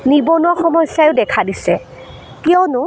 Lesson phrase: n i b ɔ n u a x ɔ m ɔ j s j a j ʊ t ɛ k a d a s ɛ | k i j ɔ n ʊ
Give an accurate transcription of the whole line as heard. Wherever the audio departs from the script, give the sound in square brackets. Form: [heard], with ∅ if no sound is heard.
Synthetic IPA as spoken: n i b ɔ n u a x ɔ m ɔ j s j a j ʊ [d] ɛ [kʰ] a d [i] s ɛ | k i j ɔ n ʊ